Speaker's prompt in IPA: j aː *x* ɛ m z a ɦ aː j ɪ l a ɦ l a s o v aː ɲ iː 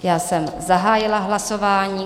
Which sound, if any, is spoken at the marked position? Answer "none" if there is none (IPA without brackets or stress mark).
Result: s